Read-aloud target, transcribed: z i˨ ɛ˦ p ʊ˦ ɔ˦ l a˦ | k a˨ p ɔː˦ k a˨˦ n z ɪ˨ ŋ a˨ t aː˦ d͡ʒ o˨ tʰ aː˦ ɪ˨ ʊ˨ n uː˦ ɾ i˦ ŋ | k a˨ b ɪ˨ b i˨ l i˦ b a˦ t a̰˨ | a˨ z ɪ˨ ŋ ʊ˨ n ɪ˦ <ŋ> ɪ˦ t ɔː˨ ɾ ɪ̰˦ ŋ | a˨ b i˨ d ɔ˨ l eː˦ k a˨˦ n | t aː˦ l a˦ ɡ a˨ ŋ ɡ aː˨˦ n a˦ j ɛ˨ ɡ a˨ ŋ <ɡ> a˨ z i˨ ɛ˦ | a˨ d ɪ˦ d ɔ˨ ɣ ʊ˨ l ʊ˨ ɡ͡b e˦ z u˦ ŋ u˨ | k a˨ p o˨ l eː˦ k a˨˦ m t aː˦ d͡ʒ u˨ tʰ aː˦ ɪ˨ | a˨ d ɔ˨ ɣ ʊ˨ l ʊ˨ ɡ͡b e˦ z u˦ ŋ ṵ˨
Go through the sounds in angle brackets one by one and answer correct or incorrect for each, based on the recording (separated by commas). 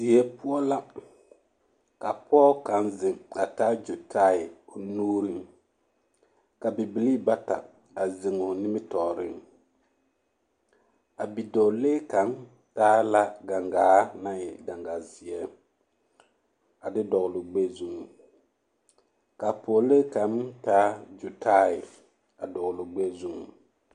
incorrect, correct